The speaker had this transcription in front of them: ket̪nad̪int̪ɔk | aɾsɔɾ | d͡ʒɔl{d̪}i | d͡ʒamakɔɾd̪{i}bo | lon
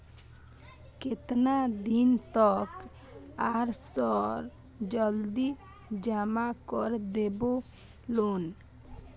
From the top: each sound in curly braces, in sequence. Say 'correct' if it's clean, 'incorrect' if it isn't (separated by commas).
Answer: correct, incorrect